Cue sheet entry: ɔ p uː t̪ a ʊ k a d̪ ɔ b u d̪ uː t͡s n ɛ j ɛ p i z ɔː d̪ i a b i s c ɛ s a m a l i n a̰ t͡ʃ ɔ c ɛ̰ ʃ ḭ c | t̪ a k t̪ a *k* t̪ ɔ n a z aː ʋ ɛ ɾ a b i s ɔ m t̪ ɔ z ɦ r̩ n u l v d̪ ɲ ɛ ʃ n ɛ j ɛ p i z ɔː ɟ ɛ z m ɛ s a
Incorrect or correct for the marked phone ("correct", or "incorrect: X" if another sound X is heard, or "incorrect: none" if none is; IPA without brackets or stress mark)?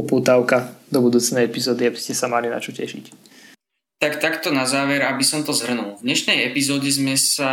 correct